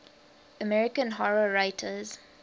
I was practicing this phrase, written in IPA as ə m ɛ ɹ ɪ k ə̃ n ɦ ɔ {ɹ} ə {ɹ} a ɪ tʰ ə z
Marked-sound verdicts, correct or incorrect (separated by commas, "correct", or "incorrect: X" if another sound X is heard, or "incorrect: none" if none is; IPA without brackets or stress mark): correct, correct